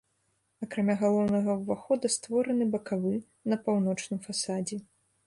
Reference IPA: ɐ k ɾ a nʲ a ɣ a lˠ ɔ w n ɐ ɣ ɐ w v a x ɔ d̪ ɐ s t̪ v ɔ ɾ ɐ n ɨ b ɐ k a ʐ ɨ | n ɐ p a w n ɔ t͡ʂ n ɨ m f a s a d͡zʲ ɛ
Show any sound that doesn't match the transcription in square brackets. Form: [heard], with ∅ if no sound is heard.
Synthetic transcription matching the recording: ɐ k ɾ a [mʲ] a ɣ a lˠ ɔ w n ɐ ɣ ɐ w v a x ɔ d̪ ɐ s t̪ v ɔ ɾ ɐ n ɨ b ɐ k a [v] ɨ | n ɐ p a w n ɔ t͡ʂ n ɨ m f a s a d͡zʲ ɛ